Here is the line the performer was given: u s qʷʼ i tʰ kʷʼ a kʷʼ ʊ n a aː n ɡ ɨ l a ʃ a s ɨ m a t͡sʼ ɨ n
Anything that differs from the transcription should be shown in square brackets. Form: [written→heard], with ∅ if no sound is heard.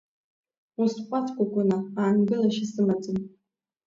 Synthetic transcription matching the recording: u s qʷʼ [i→a] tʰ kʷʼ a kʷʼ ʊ n a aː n ɡ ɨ l a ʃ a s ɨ m a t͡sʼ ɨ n